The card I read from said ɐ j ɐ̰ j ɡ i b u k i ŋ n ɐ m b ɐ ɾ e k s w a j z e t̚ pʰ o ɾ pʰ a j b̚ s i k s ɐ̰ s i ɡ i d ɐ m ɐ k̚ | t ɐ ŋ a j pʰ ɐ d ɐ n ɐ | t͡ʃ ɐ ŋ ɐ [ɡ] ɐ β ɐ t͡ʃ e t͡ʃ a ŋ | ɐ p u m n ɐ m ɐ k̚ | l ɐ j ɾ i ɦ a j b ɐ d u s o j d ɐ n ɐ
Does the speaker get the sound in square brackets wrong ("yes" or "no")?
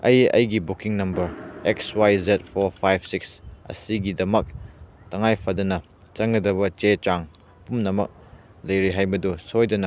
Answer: yes